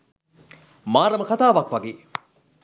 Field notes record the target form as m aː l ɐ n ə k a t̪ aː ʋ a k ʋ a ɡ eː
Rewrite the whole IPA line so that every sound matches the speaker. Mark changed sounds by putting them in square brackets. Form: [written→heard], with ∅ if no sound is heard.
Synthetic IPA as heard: m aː [l→ɾ] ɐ [n→m] ə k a t̪ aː ʋ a k ʋ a ɡ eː